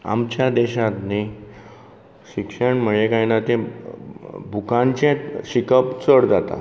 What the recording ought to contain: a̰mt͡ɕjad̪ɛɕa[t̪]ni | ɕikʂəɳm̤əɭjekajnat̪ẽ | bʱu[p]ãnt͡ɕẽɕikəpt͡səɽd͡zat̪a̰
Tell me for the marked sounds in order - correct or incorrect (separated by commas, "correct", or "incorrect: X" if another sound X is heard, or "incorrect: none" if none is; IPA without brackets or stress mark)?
correct, incorrect: k